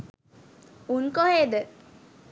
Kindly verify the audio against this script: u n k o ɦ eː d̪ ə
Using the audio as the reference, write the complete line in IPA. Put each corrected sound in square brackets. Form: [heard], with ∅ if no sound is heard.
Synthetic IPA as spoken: u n k o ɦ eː d̪ ə